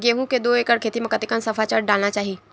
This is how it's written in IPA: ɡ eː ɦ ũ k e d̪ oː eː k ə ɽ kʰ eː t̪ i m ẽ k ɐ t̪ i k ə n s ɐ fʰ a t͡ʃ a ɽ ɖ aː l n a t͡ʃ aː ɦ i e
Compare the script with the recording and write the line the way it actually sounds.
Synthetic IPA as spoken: ɡ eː ɦ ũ k e d̪ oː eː k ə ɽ kʰ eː t̪ i m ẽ k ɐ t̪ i k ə n s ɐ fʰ a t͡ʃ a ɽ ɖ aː l n a t͡ʃ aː ɦ i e